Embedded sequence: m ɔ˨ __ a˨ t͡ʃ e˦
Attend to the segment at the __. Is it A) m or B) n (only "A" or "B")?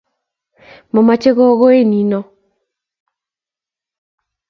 A